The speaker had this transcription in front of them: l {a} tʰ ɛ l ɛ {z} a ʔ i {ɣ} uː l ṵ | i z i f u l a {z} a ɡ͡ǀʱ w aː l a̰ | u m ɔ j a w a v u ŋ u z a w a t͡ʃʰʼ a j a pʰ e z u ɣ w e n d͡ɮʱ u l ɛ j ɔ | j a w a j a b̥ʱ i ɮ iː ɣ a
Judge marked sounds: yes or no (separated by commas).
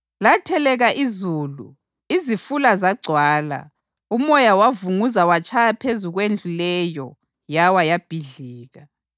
yes, no, no, yes